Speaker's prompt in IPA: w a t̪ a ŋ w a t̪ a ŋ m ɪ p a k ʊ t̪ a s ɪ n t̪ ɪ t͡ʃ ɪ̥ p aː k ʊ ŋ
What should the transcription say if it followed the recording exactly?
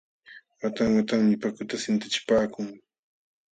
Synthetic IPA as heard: w a t̪ a ŋ w a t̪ a ŋ m ɪ p a k ʊ t̪ a s ɪ n t̪ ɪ t͡ʃ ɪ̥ p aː k ʊ ŋ